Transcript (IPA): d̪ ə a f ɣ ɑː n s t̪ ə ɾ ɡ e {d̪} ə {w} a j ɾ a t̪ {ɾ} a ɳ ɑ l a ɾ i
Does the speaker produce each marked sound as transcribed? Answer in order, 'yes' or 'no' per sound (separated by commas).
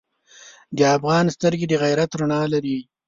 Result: yes, no, yes